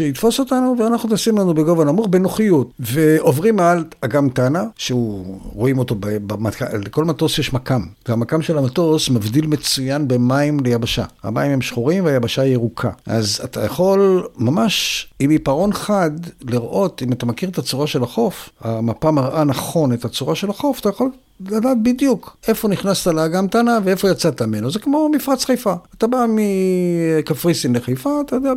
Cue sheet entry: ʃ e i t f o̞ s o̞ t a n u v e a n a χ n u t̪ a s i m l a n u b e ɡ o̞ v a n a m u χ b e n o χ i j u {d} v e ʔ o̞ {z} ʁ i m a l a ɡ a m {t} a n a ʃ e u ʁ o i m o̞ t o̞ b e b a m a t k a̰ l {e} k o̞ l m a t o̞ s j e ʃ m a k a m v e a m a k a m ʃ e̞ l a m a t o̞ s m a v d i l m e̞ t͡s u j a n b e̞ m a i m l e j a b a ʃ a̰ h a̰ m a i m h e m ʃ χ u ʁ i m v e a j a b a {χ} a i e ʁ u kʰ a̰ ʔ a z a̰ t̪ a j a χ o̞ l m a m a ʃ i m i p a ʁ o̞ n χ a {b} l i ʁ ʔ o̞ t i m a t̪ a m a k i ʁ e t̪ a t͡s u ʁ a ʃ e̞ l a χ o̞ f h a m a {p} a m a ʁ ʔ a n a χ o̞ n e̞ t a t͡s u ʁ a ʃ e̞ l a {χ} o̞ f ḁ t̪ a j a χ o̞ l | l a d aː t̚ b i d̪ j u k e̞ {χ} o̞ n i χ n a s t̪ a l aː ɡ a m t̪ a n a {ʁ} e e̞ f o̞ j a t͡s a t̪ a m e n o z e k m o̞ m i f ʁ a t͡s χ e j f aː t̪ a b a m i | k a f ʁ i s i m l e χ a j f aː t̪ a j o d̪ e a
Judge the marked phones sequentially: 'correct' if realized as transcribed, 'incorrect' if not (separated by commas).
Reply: incorrect, incorrect, correct, correct, incorrect, incorrect, correct, correct, incorrect, incorrect